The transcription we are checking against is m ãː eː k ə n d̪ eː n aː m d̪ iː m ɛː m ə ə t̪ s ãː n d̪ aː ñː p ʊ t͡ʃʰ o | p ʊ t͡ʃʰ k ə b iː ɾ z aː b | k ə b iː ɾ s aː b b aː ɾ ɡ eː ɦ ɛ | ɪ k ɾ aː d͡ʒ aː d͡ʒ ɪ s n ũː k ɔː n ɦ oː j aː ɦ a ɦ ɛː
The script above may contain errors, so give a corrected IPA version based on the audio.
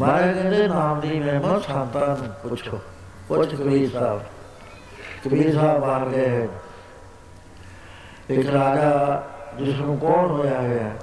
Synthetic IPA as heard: m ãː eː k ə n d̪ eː n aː m d̪ iː m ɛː m ə ə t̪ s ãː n t̪ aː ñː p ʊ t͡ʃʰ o | p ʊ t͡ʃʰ k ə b iː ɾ s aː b | k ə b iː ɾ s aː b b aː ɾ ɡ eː ɦ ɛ | ɪ k ɾ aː d͡ʒ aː d͡ʒ ɪ s n ũː k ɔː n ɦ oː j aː ɦ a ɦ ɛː